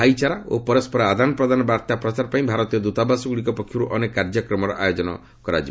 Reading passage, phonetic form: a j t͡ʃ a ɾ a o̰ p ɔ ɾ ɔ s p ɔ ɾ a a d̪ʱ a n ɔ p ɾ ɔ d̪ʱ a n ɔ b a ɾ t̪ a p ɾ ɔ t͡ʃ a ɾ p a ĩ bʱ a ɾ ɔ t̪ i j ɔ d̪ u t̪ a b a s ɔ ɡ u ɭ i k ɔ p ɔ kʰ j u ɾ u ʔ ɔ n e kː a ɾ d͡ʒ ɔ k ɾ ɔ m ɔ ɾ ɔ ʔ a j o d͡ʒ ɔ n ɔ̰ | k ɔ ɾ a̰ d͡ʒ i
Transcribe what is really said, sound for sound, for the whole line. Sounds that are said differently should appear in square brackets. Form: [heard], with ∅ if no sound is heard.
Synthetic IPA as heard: a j t͡ʃ a ɾ a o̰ p ɔ ɾ ɔ s p ɔ ɾ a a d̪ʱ a n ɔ p ɾ ɔ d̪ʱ a n ɔ b a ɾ t̪ a p ɾ ɔ t͡ʃ a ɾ p a ĩ bʱ a ɾ ɔ t̪ i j ɔ d̪ u t̪ a b a s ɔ ɡ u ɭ i k ɔ p ɔ kʰ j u ɾ u ʔ ɔ n e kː a ɾ d͡ʒ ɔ k ɾ ɔ m ɔ ɾ ɔ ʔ a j o d͡ʒ ɔ n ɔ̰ | k ɔ ɾ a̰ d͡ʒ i